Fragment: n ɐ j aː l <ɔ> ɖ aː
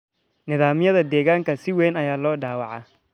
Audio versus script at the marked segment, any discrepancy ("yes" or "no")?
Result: yes